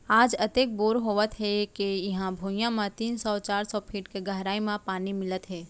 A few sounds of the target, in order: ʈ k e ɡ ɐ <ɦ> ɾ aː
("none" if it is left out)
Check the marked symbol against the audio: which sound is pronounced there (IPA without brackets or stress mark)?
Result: ɦ